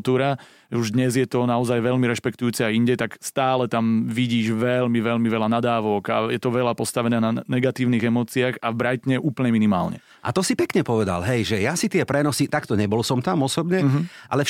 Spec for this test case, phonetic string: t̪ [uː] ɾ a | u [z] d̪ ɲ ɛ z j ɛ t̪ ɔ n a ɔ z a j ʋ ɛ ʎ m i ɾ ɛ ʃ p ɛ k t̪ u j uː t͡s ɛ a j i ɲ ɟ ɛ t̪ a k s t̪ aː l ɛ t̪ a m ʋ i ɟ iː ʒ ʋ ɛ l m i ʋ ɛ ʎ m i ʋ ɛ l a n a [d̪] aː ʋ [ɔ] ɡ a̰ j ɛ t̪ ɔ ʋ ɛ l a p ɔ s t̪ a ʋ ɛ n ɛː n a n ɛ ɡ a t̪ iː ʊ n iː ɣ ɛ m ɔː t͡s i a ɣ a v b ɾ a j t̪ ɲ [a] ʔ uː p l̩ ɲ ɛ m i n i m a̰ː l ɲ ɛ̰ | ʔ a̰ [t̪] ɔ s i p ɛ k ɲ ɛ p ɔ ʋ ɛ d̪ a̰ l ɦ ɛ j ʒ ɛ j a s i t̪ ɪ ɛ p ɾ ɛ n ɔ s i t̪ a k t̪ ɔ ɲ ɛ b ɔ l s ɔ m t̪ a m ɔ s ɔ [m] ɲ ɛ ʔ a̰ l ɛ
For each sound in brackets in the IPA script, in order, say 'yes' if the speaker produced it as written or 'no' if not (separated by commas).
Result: yes, no, yes, yes, no, yes, no